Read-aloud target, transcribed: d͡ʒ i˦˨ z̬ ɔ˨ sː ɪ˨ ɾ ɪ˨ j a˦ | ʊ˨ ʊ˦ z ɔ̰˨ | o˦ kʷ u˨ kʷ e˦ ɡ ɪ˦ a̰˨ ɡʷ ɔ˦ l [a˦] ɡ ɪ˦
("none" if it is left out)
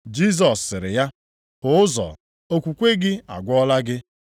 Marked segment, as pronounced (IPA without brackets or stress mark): a˦